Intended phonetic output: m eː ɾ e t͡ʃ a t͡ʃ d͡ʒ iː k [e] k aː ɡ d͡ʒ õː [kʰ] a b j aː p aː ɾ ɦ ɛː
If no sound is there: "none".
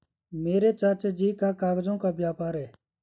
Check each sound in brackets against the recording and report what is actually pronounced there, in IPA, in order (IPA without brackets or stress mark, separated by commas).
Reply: a, k